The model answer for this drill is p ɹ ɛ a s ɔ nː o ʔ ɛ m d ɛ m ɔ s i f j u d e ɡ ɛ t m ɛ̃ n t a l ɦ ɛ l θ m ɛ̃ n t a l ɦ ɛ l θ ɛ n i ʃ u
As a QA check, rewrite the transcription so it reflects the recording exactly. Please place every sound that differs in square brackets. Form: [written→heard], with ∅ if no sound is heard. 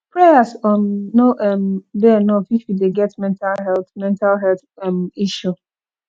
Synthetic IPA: p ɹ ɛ a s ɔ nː o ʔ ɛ m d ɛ [m→n] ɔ [s→f] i f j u d e ɡ ɛ t m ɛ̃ n t a l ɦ ɛ l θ m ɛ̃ n t a l ɦ ɛ l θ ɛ [n→m] i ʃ u